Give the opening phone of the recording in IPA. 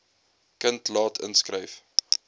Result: k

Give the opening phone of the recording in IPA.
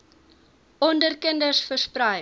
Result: ɔ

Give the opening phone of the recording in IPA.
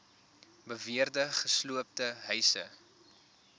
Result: b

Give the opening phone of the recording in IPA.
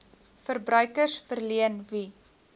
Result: f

